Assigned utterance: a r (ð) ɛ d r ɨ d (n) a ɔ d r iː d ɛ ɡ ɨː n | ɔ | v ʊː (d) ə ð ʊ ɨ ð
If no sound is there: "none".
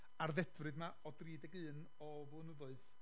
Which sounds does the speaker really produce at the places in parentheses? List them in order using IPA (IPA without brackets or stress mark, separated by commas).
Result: ð, m, n